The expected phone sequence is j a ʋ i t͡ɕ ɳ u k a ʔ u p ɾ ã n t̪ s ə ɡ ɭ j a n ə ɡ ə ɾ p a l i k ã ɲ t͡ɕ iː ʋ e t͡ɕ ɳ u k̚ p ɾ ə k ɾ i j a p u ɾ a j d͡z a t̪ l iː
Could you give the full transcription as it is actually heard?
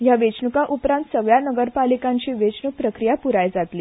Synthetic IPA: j a ʋ e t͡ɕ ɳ u k a ʔ u p ɾ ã n t̪ s ə ɡ ɭ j a n ə ɡ ə ɾ p a l i k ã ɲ t͡ɕ iː ʋ e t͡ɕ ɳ u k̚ p ɾ ə k ɾ i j a p u ɾ a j d͡z a t̪ l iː